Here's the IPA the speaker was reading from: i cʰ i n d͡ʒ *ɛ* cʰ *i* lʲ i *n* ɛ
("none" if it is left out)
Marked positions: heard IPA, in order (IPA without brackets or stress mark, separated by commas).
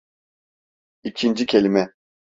i, e, m